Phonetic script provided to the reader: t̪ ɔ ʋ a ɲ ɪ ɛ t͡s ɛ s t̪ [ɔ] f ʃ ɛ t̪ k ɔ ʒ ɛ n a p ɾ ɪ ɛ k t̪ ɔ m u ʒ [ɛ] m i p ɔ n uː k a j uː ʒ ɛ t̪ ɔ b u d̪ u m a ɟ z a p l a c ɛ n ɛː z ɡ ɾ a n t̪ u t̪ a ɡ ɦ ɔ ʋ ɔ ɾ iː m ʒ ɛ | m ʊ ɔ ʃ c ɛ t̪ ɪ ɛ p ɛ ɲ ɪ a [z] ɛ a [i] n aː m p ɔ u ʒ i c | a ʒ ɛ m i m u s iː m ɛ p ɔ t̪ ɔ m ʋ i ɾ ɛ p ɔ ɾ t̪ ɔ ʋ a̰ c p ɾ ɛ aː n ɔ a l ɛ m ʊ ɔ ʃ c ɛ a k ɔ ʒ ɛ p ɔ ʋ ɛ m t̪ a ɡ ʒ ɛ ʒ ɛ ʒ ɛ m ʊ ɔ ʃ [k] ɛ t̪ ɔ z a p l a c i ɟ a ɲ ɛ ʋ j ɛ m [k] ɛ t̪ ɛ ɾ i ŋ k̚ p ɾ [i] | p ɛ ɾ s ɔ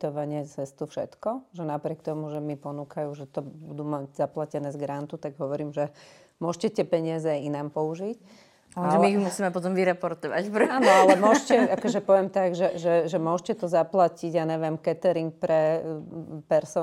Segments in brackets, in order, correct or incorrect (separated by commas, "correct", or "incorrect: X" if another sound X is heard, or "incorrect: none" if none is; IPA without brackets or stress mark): incorrect: u, correct, correct, correct, incorrect: c, correct, incorrect: ɛ